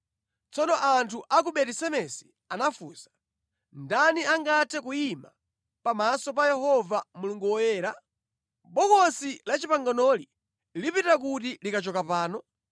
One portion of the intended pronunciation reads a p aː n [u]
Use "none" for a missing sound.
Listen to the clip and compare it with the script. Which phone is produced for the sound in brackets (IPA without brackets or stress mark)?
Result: ɔ